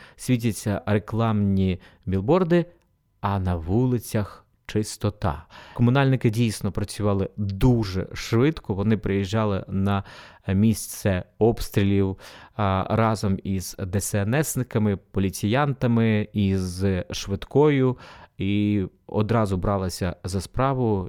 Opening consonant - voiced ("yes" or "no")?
no